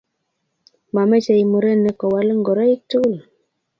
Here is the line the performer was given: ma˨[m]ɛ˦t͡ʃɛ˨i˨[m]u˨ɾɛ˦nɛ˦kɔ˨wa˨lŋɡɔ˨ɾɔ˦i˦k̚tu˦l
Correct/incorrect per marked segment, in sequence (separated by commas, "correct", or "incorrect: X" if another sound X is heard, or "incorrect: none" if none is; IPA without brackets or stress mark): correct, correct